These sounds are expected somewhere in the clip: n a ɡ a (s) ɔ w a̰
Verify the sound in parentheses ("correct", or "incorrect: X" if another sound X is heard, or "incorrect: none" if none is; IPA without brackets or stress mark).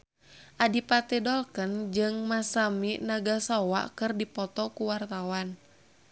correct